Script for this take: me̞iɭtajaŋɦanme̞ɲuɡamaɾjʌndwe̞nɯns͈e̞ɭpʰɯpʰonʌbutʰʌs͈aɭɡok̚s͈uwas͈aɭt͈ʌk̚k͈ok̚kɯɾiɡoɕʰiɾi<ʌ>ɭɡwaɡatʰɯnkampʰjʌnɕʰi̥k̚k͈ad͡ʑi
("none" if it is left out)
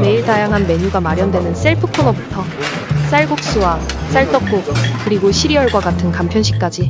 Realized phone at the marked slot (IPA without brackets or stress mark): ʌ